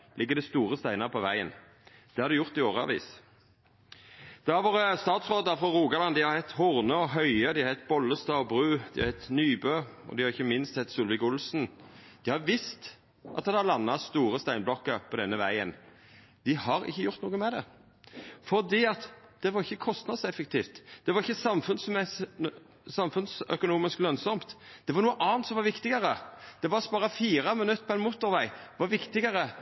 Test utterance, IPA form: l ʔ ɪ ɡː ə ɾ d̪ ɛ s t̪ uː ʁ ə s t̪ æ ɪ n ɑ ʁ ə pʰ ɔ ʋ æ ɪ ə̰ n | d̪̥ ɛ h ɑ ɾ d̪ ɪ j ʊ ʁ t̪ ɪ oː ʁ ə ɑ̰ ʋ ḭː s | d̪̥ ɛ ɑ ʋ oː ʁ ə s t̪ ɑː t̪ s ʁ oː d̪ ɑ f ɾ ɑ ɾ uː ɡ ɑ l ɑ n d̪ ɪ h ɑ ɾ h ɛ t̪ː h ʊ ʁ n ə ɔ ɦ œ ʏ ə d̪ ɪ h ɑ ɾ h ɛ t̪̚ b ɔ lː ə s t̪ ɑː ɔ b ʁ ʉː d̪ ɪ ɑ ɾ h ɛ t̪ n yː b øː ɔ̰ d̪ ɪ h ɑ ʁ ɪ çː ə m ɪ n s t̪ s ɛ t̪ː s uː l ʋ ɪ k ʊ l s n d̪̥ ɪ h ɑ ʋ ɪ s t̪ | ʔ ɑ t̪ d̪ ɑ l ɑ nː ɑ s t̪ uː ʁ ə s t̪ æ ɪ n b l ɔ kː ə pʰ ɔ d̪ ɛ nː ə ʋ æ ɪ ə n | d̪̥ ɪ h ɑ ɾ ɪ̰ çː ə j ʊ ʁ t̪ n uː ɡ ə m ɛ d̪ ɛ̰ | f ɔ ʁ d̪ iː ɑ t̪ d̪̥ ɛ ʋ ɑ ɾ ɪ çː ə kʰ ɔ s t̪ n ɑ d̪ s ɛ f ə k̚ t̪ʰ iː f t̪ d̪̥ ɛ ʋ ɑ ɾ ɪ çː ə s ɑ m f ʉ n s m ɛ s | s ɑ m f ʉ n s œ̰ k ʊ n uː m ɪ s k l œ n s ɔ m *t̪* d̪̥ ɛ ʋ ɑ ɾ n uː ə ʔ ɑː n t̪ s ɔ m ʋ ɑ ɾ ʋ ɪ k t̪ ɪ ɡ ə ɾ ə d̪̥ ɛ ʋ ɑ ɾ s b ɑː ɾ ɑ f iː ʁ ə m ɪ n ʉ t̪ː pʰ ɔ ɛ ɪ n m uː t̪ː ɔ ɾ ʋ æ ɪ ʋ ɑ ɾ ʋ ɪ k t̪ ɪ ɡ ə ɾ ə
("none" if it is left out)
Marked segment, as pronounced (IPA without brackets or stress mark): t̪